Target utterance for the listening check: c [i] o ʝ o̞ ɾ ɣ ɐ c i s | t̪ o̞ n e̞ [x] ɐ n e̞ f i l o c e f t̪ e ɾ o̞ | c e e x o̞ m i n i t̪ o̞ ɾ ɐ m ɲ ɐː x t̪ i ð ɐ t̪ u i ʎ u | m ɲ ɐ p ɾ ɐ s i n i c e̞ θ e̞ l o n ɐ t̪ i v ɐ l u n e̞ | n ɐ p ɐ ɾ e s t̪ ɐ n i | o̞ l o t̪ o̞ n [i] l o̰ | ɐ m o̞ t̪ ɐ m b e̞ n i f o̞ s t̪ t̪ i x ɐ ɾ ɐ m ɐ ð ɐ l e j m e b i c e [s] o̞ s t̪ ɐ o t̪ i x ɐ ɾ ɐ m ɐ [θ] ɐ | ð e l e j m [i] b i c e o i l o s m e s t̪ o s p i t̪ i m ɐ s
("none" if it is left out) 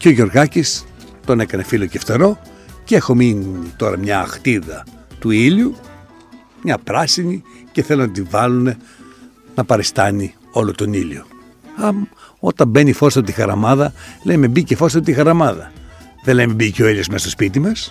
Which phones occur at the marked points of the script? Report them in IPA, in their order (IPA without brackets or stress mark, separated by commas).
e, k, i, f, ð, e